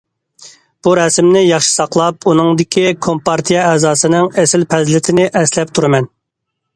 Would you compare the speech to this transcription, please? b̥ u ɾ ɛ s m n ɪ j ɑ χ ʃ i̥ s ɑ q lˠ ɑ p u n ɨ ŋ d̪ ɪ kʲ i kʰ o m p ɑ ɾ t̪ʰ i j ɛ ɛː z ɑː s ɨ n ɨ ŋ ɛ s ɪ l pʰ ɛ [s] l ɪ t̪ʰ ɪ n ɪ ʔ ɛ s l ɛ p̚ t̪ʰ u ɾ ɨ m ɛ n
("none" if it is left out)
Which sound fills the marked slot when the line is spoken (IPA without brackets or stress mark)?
z